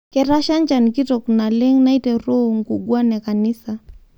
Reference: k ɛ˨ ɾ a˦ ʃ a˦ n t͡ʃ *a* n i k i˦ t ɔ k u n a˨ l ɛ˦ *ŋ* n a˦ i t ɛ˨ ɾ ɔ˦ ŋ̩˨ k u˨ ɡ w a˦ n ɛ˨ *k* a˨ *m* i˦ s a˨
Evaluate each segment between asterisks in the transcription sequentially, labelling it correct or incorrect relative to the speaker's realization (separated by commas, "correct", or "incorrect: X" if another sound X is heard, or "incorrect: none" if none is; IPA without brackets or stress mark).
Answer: correct, correct, correct, incorrect: n